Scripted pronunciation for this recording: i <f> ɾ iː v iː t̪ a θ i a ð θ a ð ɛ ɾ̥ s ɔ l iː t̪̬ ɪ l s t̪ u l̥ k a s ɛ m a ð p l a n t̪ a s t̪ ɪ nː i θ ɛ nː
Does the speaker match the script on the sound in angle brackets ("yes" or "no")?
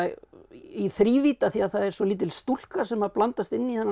no